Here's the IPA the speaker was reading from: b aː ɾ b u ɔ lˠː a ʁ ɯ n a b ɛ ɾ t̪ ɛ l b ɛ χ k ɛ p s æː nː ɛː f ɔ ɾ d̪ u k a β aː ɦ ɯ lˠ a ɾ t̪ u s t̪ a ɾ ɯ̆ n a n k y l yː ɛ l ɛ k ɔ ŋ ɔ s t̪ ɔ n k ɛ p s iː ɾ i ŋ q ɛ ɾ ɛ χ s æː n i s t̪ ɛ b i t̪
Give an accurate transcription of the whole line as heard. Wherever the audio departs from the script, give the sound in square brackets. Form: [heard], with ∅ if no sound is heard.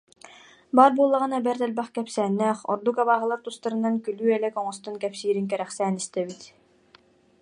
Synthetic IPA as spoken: b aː ɾ b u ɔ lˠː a ʁ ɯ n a b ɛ ɾ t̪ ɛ l b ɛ χ k ɛ p s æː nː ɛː [χ] ɔ ɾ d̪ u k a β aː ɦ ɯ lˠ a ɾ t̪ u s t̪ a ɾ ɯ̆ n a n k y l yː ɛ l ɛ k ɔ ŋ ɔ s t̪ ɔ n k ɛ p s iː ɾ i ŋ [k] ɛ ɾ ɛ χ s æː n i s t̪ ɛ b i t̪